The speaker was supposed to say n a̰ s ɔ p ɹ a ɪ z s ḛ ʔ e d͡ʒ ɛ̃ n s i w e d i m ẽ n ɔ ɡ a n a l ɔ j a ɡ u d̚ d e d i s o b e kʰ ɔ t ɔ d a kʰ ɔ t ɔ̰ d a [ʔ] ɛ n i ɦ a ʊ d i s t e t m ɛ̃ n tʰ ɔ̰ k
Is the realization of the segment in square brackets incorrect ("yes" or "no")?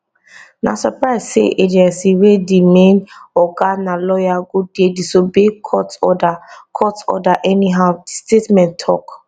no